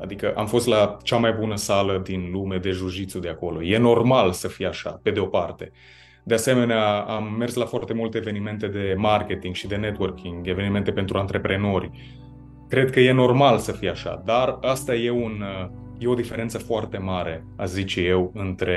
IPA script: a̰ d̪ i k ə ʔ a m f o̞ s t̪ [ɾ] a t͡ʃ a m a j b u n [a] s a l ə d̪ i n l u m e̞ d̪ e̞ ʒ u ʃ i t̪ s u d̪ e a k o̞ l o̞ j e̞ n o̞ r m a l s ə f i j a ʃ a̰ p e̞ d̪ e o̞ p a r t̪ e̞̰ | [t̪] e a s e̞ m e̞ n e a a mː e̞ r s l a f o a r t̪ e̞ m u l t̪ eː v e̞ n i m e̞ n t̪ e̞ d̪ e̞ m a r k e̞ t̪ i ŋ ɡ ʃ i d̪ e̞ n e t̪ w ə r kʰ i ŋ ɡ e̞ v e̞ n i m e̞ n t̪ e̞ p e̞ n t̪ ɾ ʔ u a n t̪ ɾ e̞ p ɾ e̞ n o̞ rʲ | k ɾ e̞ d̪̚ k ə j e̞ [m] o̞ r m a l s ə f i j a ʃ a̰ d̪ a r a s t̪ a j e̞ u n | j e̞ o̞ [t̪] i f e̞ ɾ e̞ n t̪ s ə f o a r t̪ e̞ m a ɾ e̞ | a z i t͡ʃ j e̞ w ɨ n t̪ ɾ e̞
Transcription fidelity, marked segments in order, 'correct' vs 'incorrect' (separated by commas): incorrect, incorrect, incorrect, incorrect, incorrect